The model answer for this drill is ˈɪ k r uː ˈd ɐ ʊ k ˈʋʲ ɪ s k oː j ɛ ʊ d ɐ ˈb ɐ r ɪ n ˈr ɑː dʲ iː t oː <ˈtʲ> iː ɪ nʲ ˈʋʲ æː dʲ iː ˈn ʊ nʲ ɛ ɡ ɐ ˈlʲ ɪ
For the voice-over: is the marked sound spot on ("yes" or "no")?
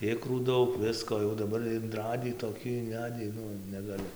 no